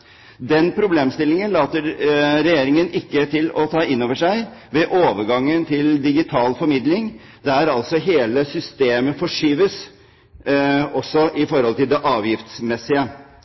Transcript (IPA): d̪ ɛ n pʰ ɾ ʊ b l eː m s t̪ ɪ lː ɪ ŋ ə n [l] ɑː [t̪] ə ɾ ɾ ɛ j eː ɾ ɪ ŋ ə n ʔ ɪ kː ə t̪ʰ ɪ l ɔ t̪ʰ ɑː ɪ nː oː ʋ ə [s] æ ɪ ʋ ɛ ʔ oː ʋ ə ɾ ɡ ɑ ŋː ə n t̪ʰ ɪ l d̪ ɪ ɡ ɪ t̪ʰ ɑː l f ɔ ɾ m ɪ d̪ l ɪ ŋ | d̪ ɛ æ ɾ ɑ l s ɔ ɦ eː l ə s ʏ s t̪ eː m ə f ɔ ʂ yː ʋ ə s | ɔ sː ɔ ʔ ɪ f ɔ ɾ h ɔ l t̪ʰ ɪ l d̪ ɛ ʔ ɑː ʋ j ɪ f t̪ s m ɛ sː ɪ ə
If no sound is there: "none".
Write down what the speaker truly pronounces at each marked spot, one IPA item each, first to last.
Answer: l, t̪, ʂ

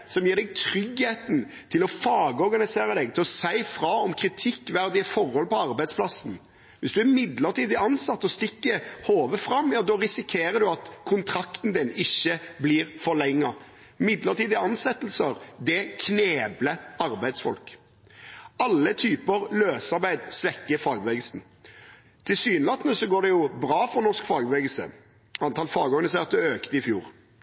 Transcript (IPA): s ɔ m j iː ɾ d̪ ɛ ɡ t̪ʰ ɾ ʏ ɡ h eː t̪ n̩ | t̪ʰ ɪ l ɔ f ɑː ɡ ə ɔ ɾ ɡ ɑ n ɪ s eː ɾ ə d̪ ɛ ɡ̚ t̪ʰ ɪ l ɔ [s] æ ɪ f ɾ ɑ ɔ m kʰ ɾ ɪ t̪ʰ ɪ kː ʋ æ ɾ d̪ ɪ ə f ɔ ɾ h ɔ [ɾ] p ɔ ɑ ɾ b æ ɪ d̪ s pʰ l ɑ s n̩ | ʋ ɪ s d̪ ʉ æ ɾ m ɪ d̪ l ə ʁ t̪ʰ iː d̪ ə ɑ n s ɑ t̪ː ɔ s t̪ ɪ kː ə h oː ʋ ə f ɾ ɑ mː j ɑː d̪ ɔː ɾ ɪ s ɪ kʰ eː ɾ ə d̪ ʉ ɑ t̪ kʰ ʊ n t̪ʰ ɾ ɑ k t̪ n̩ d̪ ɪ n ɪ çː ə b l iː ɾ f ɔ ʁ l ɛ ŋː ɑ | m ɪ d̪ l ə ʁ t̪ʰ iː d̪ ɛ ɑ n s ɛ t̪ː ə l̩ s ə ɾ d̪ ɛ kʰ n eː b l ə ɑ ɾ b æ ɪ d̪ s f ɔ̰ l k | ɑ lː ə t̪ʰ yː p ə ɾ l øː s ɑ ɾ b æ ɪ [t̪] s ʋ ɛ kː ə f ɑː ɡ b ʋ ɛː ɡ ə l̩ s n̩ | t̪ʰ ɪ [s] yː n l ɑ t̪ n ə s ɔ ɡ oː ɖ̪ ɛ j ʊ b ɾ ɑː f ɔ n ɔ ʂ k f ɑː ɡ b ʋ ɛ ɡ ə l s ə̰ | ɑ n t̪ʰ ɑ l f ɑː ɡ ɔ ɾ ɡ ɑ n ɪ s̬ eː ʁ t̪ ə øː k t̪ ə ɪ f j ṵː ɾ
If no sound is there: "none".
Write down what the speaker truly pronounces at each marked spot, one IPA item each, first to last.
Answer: s, l, d̪, s

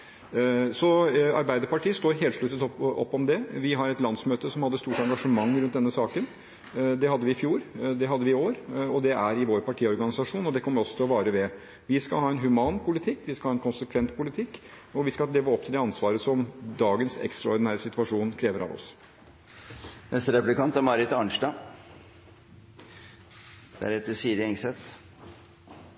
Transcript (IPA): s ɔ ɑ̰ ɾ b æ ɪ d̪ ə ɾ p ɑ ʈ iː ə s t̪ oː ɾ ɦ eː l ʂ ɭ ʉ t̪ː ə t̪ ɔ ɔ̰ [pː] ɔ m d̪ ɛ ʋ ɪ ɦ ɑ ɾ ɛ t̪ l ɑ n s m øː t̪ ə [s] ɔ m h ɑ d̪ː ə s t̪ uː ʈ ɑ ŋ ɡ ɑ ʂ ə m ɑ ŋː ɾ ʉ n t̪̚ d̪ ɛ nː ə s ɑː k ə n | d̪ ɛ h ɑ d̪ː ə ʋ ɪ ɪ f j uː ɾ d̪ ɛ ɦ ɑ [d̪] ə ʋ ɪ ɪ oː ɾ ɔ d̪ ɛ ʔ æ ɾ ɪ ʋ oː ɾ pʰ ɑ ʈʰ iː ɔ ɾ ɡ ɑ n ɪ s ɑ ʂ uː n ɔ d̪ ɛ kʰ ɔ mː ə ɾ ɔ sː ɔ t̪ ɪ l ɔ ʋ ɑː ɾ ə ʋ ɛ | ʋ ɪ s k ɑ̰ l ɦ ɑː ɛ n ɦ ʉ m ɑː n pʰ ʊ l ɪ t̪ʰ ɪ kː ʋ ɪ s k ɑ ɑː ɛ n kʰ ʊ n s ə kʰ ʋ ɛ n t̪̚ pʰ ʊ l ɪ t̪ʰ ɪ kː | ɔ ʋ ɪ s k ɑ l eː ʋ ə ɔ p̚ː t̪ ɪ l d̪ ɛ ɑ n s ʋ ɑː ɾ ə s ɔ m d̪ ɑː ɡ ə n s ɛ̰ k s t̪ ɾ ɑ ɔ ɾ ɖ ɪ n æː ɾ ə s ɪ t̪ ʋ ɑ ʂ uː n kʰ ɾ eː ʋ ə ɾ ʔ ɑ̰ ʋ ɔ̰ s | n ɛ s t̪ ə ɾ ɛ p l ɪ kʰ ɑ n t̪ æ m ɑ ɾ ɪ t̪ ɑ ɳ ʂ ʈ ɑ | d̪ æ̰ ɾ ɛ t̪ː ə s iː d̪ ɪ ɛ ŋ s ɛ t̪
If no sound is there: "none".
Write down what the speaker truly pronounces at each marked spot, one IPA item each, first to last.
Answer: pː, s, d̪ː

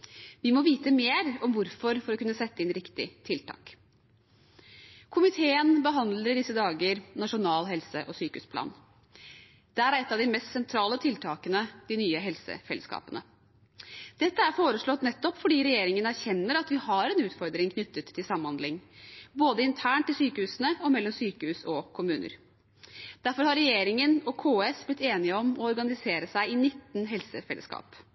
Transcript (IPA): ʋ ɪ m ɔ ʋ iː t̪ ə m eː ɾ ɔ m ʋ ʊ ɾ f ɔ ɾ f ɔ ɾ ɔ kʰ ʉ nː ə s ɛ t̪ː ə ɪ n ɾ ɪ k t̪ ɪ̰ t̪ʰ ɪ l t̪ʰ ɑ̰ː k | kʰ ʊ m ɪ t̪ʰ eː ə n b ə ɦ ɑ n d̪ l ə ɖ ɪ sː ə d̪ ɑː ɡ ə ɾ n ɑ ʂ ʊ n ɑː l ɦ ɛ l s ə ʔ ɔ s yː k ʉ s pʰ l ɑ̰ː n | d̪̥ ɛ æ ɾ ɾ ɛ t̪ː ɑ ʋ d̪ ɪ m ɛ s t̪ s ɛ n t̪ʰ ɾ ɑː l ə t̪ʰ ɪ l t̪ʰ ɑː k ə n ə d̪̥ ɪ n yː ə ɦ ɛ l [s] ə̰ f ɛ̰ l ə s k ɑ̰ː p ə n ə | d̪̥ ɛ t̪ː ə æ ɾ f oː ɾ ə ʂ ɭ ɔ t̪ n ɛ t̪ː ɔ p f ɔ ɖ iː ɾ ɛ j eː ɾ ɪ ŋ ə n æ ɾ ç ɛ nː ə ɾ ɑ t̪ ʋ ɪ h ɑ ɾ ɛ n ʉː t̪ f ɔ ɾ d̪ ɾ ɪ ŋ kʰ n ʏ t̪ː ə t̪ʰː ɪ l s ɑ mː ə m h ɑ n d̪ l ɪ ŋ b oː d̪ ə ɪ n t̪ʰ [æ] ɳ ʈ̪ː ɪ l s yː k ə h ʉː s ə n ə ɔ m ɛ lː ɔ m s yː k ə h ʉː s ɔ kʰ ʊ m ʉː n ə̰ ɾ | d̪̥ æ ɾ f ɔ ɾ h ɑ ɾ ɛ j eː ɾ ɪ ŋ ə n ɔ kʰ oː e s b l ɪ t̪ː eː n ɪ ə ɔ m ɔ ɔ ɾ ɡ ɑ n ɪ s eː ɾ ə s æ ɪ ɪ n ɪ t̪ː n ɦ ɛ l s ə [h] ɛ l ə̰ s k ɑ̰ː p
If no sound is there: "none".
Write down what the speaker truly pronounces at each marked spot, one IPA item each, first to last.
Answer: s, æː, f

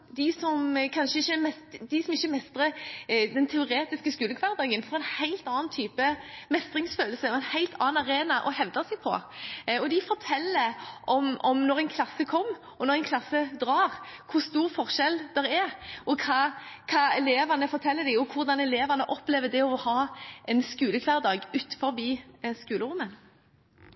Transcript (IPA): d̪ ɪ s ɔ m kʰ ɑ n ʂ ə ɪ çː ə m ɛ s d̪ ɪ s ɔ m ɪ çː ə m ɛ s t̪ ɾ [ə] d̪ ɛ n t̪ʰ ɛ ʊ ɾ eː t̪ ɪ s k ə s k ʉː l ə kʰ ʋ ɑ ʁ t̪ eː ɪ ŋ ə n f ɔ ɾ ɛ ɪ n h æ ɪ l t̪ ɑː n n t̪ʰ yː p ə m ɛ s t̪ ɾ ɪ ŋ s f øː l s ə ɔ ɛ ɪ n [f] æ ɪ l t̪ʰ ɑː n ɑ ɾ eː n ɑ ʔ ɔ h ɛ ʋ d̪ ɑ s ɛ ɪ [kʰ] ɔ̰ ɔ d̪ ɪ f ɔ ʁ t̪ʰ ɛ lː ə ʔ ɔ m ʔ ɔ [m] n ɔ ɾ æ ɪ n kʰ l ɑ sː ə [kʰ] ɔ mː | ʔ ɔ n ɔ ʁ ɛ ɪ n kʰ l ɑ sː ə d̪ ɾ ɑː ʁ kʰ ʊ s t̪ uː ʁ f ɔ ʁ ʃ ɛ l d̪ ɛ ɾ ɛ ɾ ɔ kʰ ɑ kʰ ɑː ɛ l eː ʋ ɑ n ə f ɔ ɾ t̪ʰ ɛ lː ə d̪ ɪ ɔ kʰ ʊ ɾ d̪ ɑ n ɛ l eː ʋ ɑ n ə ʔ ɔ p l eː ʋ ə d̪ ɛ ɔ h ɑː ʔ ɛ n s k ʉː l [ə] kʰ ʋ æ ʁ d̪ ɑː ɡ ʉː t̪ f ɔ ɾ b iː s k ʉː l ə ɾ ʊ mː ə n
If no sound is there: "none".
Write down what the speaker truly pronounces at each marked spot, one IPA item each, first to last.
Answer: ə, h, pʰ, m, kʰ, ə

